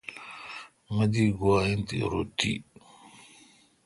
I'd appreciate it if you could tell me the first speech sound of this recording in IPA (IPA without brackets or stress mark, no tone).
m